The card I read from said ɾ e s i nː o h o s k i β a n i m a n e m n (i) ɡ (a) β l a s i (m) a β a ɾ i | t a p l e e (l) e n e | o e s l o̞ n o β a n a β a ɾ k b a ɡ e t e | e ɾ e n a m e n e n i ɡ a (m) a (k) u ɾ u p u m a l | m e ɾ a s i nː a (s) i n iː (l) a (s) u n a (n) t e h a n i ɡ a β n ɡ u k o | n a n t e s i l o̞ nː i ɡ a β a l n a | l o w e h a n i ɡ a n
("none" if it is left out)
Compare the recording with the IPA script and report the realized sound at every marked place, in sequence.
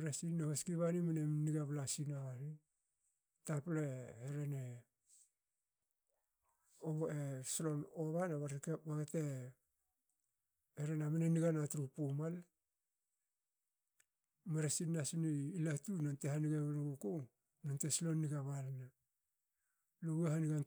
i, a, n, ɾ, n, t, s, l, t, n

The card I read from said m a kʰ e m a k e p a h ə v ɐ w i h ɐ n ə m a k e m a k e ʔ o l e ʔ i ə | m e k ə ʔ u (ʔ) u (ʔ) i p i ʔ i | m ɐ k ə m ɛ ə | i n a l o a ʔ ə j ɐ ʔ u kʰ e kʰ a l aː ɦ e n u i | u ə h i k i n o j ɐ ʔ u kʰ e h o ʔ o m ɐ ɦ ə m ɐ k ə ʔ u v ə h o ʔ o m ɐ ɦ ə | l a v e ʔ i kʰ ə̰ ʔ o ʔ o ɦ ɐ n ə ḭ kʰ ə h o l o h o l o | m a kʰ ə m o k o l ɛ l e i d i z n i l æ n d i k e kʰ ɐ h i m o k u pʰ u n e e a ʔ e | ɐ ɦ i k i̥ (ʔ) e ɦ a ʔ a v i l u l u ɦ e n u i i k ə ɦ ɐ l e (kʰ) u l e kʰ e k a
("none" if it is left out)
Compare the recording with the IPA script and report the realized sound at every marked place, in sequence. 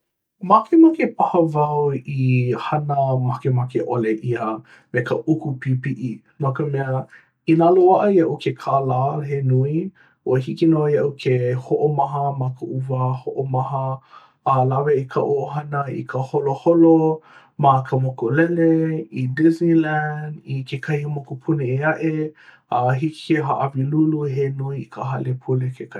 k, p, k, pʰ

